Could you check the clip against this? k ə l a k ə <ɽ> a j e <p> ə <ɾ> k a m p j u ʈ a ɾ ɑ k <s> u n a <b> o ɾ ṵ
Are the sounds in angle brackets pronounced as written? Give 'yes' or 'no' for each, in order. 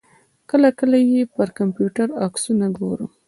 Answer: no, yes, yes, yes, no

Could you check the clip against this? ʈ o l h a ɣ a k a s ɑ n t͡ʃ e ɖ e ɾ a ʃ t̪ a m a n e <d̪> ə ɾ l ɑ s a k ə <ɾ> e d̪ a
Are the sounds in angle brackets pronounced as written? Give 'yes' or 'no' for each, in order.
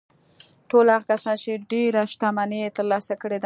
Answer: no, no

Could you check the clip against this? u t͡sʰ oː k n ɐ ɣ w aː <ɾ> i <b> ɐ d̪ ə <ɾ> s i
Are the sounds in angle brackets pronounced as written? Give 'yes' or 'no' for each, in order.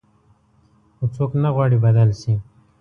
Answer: no, yes, no

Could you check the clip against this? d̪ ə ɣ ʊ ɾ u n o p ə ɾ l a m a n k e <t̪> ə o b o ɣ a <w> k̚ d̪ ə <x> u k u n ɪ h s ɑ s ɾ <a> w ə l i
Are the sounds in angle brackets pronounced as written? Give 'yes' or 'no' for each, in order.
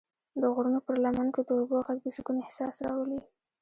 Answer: no, no, no, no

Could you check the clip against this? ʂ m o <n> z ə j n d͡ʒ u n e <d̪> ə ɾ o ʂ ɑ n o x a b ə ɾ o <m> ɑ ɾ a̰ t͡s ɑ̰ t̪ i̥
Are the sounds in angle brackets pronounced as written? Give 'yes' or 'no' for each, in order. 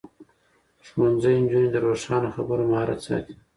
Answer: yes, yes, yes

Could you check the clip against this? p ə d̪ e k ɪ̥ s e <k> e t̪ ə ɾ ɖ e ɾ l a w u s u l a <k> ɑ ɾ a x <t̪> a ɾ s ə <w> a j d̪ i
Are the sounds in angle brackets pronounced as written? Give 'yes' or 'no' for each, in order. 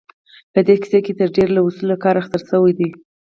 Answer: yes, yes, yes, yes

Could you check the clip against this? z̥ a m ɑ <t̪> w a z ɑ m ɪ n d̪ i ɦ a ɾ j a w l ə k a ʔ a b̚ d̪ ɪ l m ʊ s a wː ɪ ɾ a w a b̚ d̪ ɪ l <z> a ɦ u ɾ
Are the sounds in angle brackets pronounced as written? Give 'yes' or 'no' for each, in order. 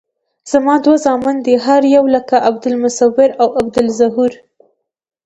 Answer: no, yes

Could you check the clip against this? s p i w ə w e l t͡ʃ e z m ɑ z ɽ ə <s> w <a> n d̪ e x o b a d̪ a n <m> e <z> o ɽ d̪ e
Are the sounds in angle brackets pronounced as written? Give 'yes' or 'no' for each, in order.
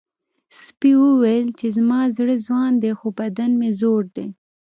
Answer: no, no, yes, yes

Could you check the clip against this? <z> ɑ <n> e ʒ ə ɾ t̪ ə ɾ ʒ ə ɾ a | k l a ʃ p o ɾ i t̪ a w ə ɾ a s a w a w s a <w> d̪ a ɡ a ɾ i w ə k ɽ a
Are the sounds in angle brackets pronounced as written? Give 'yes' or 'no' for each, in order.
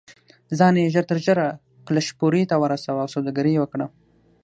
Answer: yes, yes, yes

